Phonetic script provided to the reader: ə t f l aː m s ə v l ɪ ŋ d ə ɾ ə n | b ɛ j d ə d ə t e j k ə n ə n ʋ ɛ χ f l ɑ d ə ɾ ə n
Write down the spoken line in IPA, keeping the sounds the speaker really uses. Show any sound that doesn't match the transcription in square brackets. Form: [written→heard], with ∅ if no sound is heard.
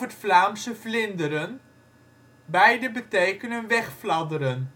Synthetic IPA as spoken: ə t f l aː m s ə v l ɪ [ŋ→n] d ə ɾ ə n | b ɛ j d ə [d→b] ə t e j k ə n ə n ʋ ɛ χ f l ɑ d ə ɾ ə n

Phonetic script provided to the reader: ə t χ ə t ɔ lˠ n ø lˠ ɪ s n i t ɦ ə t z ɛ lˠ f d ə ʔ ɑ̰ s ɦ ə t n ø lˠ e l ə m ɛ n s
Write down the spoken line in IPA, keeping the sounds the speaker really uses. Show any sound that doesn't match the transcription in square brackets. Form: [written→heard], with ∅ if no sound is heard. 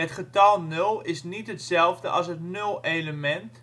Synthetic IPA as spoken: ə t χ ə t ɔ lˠ n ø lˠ ɪ s n i t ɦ ə t [z→s] ɛ lˠ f d ə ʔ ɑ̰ s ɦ ə t n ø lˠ e l ə m ɛ n [s→t]

